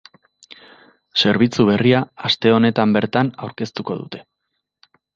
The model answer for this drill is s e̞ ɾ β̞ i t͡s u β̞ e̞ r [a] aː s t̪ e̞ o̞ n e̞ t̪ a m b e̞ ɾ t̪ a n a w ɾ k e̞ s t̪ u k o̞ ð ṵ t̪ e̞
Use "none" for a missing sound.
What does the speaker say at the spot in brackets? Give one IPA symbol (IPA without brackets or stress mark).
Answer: i